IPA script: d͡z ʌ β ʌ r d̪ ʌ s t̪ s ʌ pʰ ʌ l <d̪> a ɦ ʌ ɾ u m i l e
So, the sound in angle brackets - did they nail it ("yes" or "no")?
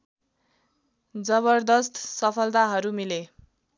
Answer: no